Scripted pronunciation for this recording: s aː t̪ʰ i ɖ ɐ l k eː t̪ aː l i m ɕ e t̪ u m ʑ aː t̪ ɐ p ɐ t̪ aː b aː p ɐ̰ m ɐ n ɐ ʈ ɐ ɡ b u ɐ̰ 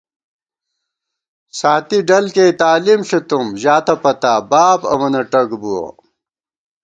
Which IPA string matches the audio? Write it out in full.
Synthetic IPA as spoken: s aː t̪ i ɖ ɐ l k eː t̪ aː l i m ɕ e t̪ u m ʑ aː t̪ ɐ p ɐ t̪ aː b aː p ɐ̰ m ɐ n ɐ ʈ ɐ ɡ b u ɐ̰